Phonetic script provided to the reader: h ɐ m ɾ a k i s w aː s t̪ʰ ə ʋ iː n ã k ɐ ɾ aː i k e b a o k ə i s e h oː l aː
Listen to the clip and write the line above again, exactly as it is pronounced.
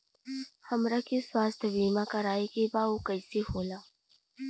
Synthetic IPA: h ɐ m ɾ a k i s w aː s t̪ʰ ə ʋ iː m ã k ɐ ɾ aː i k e b a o k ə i s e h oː l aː